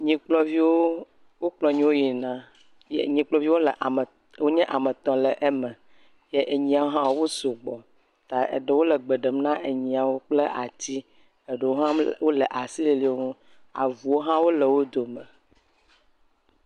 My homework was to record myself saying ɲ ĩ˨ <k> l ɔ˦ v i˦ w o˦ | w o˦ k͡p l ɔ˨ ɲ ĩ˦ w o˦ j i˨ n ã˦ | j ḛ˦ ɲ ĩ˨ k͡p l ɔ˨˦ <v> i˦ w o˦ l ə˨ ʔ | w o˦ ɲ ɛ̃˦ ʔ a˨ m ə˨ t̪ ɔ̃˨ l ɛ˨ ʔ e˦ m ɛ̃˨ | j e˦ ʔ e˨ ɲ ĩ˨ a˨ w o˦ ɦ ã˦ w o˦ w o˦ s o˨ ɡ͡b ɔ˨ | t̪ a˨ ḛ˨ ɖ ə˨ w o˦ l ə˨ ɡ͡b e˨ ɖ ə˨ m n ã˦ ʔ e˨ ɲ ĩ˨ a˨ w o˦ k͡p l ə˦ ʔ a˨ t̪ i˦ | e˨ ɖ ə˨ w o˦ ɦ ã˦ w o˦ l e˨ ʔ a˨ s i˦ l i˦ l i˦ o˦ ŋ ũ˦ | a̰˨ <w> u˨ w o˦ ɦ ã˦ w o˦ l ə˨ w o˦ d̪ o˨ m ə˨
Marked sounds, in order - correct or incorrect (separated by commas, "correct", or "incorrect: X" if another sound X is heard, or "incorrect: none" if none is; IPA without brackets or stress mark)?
incorrect: k͡p, correct, incorrect: v